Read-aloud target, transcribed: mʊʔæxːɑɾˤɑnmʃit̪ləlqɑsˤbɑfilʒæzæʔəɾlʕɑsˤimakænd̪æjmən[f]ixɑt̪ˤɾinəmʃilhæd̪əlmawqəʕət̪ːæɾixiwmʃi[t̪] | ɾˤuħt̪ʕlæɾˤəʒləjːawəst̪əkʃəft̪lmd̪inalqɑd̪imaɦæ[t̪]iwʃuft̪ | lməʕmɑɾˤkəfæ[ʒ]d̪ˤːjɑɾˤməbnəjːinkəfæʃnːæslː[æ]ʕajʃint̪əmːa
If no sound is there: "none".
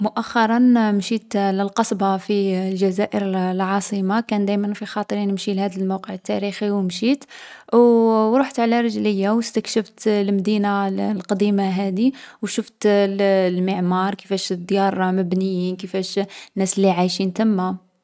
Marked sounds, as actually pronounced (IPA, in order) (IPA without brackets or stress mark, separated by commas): f, t̪, d̪, ʃ, i